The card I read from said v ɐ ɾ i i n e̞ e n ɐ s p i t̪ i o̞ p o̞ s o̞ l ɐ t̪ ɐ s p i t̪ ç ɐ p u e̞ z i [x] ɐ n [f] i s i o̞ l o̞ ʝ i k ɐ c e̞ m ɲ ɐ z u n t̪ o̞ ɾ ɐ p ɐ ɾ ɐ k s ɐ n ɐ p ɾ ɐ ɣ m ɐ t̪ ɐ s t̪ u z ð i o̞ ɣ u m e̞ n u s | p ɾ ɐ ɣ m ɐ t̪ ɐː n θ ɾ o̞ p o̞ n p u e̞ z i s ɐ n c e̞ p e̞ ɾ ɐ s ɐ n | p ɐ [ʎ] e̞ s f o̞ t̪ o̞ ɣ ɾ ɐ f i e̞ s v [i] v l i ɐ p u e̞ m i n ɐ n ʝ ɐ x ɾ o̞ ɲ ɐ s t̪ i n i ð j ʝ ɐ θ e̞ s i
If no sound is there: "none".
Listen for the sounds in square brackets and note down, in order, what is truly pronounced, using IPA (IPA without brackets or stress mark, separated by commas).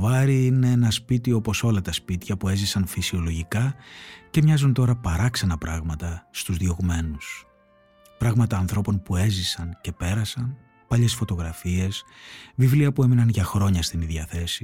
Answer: s, f, ʎ, i